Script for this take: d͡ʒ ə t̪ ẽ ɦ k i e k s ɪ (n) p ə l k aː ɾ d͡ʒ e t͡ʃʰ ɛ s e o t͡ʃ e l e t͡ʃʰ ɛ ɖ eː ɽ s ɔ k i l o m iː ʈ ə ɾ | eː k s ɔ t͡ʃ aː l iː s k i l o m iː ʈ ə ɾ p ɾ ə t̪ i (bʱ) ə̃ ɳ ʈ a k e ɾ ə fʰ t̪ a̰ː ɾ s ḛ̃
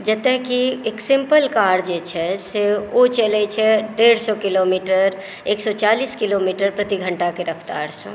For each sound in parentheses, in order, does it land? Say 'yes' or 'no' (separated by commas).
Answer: no, no